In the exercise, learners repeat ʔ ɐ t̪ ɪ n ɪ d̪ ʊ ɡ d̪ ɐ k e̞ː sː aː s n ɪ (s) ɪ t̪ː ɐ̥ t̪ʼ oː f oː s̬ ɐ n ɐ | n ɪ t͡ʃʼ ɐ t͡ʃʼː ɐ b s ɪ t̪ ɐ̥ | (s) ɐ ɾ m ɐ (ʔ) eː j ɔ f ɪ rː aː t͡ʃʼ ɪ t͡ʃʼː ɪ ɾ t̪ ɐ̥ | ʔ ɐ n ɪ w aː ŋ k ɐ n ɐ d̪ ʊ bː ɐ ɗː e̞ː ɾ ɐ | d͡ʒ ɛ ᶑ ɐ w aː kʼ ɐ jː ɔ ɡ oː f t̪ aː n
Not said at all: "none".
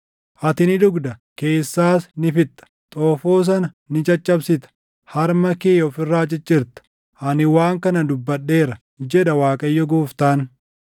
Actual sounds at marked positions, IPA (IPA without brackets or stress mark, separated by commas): f, h, k